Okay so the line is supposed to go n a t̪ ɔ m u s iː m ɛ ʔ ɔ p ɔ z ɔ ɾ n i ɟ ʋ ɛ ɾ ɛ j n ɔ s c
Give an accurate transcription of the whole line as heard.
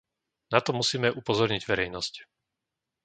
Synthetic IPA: n a t̪ ɔ m u s iː m ɛ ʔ u p ɔ z ɔ ɾ ɲ i ɟ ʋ ɛ ɾ ɛ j n ɔ s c